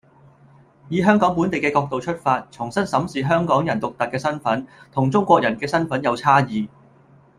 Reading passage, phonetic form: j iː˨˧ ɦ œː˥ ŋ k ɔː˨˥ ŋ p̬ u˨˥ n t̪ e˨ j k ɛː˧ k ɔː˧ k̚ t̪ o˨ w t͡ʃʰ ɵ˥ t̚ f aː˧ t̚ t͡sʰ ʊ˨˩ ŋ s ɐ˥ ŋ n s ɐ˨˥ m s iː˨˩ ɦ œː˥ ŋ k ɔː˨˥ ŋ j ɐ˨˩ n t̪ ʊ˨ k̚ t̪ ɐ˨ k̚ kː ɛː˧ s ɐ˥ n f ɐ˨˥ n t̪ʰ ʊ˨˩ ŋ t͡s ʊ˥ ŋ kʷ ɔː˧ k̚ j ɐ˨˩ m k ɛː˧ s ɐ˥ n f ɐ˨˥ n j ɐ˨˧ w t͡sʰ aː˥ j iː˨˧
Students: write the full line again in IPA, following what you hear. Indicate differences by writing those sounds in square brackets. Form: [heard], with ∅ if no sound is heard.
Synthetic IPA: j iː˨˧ ɦ œː˥ ŋ k ɔː˨˥ ŋ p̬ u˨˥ n t̪ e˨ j k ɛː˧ k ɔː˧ k̚ t̪ o˨ w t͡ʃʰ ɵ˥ t̚ f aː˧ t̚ t͡sʰ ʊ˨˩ ŋ s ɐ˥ [∅] n s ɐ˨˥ m s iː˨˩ ɦ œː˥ ŋ k ɔː˨˥ ŋ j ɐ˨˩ n t̪ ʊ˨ k̚ t̪ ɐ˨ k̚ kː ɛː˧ s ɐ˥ n f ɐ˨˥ n t̪ʰ ʊ˨˩ ŋ t͡s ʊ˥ ŋ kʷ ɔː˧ k̚ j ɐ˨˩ [n] k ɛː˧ s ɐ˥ n f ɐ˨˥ n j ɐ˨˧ w t͡sʰ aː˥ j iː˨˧

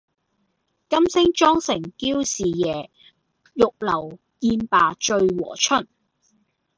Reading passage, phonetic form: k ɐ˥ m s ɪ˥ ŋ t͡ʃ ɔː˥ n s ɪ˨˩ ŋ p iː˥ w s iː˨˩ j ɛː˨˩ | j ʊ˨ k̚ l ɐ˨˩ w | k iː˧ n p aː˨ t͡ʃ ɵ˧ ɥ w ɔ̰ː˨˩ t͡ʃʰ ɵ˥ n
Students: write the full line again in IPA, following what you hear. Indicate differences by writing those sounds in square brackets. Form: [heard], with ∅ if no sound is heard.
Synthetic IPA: k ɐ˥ m s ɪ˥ ŋ t͡ʃ ɔː˥ [ŋ] s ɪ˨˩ ŋ [k] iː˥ w s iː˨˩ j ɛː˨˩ | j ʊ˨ k̚ l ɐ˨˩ w | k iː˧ n p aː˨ t͡ʃ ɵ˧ ɥ w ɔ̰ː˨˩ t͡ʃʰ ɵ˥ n

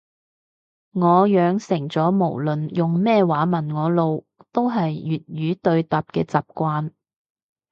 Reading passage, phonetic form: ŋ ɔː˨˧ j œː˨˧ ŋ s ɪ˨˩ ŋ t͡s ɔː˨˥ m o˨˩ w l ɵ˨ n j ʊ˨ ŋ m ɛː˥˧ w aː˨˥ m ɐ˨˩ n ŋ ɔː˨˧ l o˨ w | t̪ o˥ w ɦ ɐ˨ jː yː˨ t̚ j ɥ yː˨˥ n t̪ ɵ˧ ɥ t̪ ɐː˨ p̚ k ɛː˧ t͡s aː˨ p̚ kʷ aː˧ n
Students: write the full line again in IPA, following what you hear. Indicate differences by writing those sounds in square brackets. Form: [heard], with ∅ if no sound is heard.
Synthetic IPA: ŋ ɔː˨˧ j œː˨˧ ŋ s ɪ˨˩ ŋ t͡s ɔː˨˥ m o˨˩ w l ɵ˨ n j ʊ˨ ŋ m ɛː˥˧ w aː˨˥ m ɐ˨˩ n ŋ ɔː˨˧ l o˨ w | t̪ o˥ w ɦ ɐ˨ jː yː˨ t̚ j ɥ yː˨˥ [∅] t̪ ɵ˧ ɥ t̪ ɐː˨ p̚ k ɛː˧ t͡s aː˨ p̚ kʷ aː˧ n

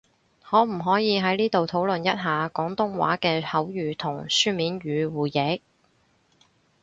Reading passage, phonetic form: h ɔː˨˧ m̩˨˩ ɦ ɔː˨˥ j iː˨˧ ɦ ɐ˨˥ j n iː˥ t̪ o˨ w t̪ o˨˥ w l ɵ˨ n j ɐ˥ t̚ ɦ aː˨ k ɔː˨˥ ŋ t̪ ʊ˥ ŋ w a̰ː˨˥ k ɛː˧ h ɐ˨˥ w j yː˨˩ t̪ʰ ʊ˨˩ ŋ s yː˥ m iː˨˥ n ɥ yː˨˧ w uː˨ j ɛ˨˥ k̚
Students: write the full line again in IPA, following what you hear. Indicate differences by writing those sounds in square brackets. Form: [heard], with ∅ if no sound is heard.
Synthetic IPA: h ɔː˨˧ m̩˨˩ ɦ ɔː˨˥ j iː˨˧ ɦ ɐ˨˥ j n iː˥ t̪ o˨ w [t̪ʰ] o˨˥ w l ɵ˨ n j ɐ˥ t̚ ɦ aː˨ k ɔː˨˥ ŋ t̪ ʊ˥ ŋ w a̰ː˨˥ k ɛː˧ h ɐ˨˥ w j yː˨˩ t̪ʰ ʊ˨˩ ŋ s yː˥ m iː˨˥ n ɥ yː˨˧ w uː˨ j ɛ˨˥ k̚

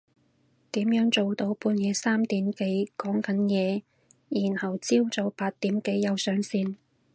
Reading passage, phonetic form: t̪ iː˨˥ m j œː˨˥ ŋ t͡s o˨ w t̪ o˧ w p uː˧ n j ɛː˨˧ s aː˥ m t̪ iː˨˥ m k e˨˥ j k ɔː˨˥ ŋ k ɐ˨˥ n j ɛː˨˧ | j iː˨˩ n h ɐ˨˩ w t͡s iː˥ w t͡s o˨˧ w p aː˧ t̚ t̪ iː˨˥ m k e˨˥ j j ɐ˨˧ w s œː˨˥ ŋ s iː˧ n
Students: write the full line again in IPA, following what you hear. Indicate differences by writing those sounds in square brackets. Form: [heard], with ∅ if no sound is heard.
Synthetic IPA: t̪ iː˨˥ m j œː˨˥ ŋ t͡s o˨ w t̪ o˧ w p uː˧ n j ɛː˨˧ s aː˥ m t̪ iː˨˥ m k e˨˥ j k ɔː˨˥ ŋ k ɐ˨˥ n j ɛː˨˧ | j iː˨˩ n h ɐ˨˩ w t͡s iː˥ w t͡s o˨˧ w p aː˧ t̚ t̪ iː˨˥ m k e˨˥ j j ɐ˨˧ w s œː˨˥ ŋ s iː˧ n

